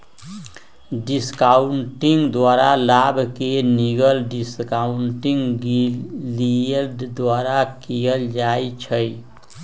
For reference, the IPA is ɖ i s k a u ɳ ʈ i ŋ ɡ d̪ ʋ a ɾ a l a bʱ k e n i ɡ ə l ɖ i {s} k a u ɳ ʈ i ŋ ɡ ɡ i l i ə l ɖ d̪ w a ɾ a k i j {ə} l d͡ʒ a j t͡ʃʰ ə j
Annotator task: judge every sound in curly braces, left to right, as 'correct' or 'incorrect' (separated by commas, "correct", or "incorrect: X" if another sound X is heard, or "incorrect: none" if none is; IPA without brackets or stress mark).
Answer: correct, correct